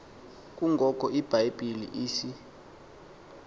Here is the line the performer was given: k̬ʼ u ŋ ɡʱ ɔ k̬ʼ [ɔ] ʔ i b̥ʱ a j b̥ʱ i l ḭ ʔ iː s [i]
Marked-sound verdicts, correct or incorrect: correct, correct

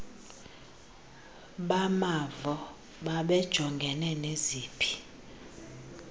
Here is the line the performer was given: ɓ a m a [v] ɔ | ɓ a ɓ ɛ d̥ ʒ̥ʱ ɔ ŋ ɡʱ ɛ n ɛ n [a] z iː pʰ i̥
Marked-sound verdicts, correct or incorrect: correct, incorrect: e

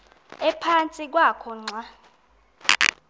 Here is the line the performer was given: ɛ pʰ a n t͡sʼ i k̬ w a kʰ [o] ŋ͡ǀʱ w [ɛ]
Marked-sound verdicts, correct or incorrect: incorrect: ɔ, incorrect: a

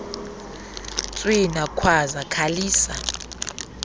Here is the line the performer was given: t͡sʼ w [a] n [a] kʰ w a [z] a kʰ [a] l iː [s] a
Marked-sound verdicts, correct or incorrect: incorrect: i, correct, correct, correct, correct

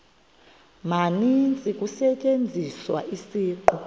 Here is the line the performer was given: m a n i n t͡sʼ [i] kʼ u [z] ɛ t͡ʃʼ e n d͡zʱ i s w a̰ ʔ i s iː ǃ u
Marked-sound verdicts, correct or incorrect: correct, incorrect: s

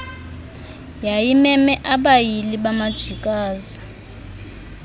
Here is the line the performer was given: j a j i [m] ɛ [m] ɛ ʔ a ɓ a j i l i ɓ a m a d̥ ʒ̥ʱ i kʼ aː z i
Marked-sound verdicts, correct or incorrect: correct, correct

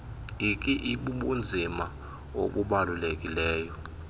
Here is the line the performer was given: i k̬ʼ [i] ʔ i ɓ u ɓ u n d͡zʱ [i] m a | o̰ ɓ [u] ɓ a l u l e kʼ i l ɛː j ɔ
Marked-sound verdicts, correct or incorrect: correct, correct, correct

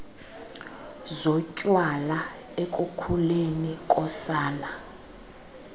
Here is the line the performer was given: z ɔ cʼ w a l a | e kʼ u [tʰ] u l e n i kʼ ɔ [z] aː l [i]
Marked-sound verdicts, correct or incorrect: incorrect: kʰ, incorrect: s, incorrect: a

